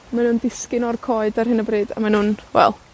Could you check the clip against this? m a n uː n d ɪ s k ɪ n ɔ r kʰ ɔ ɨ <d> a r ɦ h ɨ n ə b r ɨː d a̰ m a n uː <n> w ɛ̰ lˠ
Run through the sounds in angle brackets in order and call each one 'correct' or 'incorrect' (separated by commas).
correct, correct